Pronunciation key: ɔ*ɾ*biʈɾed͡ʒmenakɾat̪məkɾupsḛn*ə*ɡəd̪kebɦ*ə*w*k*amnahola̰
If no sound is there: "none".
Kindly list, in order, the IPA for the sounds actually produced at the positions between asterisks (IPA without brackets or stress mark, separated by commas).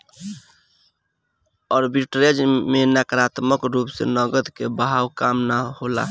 ɾ, ə, a, k